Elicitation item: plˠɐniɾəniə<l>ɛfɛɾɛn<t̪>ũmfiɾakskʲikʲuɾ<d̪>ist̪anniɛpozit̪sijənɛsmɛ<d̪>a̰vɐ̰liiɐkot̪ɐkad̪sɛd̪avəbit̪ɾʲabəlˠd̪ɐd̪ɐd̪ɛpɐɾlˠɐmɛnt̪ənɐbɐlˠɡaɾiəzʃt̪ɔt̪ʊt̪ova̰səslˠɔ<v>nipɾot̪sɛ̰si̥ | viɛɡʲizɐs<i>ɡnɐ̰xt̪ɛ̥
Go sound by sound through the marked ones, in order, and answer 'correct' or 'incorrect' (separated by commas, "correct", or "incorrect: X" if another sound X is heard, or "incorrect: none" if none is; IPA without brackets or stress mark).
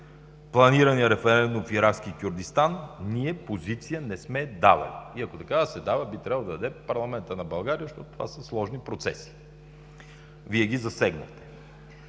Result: incorrect: ɾ, incorrect: d̪, correct, correct, incorrect: ʒ, incorrect: ɛ